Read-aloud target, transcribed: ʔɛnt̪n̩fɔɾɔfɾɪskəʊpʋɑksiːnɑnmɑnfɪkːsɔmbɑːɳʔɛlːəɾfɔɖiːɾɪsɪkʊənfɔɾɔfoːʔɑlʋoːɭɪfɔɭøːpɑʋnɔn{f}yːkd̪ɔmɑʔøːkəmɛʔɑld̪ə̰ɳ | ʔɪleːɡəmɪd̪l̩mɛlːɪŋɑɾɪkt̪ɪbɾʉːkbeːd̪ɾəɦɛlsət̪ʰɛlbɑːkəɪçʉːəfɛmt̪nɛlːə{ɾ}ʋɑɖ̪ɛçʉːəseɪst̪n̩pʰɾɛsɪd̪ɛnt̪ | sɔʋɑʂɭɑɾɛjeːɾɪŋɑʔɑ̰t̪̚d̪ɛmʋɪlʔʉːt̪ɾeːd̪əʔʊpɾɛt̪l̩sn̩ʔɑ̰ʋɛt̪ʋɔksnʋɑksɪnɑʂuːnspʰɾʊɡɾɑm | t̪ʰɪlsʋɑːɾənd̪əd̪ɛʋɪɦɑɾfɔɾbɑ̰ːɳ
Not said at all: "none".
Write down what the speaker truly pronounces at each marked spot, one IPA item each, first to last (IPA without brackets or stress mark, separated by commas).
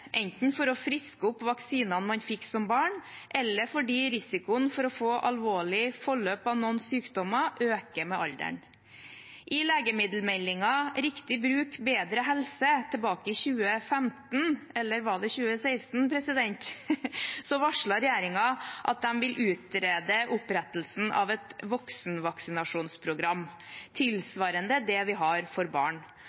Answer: s, ɾ